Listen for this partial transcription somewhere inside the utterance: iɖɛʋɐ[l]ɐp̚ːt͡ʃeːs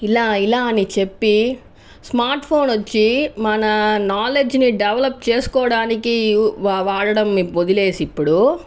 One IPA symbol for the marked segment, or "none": l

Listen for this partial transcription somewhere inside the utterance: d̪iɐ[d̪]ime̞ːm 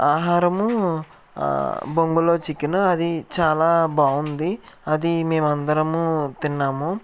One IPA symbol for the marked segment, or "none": d̪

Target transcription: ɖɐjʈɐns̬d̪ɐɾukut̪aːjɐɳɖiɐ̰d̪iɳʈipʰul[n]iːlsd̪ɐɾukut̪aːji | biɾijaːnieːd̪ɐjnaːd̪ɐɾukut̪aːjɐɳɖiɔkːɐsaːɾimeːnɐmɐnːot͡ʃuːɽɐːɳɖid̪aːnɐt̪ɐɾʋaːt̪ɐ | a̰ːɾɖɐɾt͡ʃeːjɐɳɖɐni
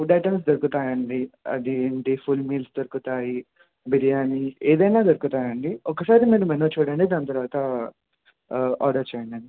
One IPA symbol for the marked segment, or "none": m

